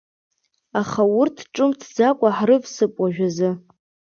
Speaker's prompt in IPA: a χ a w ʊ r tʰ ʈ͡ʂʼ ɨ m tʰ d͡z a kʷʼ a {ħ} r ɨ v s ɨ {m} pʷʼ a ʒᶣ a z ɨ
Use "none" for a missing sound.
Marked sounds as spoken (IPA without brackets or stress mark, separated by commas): ħ, none